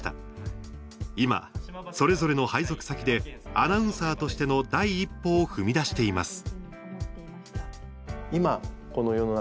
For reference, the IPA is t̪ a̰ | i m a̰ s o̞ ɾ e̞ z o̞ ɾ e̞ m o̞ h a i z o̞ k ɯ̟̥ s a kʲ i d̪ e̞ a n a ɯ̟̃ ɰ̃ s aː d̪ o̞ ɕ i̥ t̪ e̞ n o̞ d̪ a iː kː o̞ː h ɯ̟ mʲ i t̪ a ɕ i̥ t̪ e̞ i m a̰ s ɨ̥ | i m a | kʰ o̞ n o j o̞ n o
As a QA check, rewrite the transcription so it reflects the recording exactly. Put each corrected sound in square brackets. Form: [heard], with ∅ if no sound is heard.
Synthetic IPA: t̪ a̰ | i m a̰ s o̞ ɾ e̞ z o̞ ɾ e̞ [n] o̞ h a i z o̞ k ɯ̟̥ s a kʲ i d̪ e̞ a n a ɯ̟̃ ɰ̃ s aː [t̪] o̞ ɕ i̥ t̪ e̞ n o̞ d̪ a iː [pː] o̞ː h ɯ̟ mʲ i [d̪] a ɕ i̥ t̪ e̞ i m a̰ s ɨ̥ | i m a | [k] o̞ n o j o̞ n o